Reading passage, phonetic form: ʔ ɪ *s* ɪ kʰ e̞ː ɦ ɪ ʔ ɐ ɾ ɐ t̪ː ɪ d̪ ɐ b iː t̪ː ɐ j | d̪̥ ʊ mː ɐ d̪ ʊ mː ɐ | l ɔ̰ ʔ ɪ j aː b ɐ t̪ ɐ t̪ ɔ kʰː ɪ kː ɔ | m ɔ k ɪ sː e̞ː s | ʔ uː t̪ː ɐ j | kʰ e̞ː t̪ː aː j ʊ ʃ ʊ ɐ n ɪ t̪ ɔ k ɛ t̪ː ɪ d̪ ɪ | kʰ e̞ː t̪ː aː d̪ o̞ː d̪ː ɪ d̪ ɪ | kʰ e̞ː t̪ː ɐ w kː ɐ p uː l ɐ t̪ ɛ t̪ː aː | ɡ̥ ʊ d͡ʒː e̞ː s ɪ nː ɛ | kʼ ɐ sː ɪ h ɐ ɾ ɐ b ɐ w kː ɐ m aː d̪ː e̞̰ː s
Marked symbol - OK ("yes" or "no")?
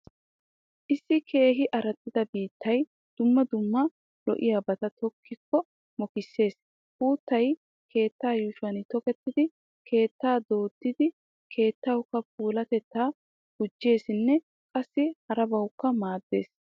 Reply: no